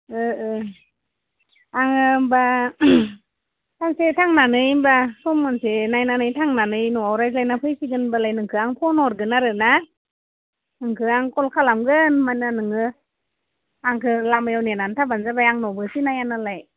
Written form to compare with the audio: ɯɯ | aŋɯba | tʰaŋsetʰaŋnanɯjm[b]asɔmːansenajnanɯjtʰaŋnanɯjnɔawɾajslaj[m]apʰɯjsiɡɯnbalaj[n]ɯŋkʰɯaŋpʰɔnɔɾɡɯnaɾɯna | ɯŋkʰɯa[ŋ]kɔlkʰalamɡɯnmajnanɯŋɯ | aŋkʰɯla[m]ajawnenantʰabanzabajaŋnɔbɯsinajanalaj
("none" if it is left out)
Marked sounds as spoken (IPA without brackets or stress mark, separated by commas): b, n, n, ŋ, m